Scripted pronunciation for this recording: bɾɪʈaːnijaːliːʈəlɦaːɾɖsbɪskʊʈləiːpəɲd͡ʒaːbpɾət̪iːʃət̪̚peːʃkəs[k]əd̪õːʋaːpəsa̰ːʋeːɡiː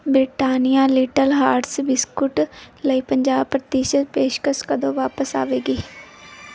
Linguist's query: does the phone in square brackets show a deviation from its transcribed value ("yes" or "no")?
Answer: no